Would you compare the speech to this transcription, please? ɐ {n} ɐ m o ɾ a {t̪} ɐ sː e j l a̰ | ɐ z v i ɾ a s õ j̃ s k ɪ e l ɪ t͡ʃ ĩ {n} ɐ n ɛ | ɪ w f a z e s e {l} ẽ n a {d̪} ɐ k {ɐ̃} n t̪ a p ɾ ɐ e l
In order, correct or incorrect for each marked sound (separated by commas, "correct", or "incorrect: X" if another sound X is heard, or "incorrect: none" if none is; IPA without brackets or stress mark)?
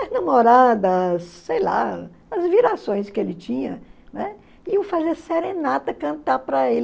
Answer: correct, incorrect: d̪, incorrect: ɲ, incorrect: ɾ, incorrect: t̪, correct